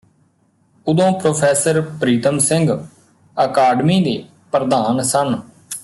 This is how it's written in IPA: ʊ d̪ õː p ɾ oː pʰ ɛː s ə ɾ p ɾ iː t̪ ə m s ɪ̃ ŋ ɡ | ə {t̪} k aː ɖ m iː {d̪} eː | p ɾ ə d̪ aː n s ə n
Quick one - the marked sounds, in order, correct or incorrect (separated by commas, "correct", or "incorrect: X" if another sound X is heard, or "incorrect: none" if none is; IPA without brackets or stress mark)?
incorrect: none, correct